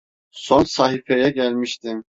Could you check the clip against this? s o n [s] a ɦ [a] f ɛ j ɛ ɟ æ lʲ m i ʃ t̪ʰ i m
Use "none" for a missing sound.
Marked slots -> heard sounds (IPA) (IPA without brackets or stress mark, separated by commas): s, i